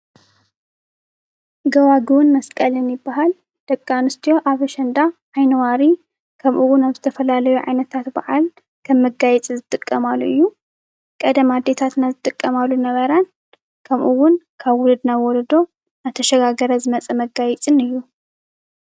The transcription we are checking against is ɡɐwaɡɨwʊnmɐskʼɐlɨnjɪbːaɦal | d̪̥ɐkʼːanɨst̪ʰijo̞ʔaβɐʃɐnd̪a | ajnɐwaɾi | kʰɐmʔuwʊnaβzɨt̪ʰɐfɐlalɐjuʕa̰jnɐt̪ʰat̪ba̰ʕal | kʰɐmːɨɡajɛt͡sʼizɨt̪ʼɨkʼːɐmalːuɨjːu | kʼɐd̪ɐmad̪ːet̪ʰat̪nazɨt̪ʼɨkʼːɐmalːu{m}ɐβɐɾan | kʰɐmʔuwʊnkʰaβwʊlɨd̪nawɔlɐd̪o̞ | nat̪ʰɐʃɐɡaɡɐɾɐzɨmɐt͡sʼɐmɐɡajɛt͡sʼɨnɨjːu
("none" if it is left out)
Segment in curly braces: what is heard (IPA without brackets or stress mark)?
n